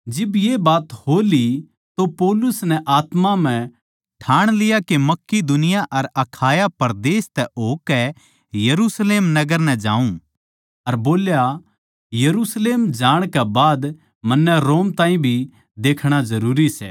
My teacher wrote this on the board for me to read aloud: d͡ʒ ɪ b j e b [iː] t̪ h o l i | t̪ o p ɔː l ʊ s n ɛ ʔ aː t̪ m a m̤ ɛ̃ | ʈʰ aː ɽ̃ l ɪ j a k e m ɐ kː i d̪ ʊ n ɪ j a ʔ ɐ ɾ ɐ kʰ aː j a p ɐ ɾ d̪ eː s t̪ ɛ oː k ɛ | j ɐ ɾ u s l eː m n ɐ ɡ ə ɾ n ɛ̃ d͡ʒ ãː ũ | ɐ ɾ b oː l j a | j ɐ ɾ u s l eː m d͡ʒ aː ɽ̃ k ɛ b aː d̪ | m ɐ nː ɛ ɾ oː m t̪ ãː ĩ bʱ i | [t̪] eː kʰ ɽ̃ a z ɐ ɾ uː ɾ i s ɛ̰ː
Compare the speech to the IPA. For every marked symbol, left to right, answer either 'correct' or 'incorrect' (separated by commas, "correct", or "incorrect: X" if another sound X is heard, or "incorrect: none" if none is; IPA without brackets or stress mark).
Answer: incorrect: aː, incorrect: d̪